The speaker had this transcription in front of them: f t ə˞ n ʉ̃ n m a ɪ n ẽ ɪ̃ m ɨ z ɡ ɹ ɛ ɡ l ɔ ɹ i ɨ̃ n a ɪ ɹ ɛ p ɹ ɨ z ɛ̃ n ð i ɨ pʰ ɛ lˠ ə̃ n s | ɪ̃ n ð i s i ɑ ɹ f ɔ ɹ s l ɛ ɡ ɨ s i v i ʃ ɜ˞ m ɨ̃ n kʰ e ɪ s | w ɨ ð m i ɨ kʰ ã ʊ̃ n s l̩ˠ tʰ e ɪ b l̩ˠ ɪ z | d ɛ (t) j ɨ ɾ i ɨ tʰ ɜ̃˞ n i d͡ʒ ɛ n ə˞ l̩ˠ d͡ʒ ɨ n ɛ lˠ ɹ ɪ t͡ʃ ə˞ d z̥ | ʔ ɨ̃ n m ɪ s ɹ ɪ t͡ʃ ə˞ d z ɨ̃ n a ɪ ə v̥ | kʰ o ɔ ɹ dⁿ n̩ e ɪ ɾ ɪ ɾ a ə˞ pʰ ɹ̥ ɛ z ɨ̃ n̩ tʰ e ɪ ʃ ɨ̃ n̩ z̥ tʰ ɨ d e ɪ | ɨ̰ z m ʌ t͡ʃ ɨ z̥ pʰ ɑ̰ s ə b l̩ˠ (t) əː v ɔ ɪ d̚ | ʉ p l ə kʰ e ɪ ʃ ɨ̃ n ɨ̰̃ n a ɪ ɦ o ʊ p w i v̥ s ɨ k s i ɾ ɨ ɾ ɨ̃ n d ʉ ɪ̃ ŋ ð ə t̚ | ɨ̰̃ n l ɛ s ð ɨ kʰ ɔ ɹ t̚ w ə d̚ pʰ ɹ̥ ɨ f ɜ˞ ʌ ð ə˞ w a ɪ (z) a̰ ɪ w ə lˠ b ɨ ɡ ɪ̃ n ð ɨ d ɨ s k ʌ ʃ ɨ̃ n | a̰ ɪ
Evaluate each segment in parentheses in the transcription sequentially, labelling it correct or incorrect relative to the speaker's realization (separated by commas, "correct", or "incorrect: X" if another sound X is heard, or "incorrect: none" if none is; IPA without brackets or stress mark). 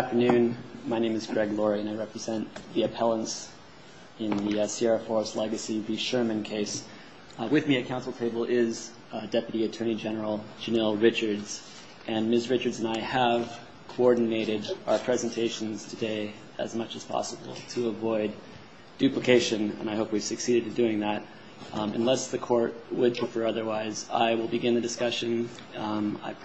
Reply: incorrect: p, incorrect: tʰ, correct